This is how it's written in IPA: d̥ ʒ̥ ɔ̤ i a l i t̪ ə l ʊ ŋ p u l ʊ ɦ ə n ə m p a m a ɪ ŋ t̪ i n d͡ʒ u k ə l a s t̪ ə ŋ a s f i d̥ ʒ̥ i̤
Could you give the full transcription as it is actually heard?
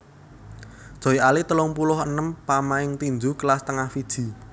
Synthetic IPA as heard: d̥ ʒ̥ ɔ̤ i a l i t̪ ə l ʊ ŋ p u l ʊ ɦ ə n ə m p a m a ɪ ŋ t̪ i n d͡ʒ u k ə l a s t̪ ə ŋ a h f i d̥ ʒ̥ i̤